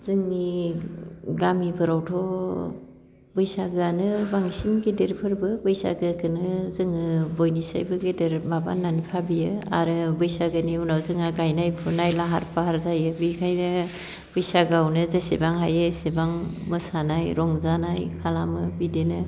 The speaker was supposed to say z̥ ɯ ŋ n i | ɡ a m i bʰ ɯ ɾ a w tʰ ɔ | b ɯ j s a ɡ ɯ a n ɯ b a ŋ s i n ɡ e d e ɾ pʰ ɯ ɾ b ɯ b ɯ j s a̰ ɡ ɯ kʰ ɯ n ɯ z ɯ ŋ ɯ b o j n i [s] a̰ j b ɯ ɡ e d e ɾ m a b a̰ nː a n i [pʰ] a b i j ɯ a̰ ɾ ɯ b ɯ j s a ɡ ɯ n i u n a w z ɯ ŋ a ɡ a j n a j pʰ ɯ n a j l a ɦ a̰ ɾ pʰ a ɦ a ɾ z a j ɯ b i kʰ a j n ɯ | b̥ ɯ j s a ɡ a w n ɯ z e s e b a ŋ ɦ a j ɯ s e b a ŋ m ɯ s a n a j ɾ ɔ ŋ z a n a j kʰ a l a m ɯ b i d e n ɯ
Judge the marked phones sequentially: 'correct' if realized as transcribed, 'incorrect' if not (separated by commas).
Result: correct, correct